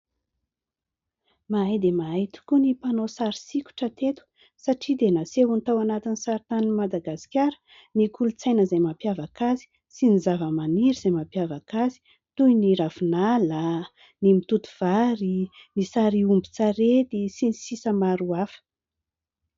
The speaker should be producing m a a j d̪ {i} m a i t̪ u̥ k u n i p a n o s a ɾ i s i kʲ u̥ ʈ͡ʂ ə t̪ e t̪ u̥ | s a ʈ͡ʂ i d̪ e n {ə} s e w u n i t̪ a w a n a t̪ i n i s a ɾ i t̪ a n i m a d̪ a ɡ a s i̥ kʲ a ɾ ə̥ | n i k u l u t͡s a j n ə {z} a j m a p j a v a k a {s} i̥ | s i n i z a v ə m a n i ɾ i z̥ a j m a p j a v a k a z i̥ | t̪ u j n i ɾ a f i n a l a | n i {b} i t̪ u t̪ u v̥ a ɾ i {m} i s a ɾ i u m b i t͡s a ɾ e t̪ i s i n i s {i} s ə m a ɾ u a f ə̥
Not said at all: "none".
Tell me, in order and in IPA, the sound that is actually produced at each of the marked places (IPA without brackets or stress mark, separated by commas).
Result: e, a, z, z, m, n, i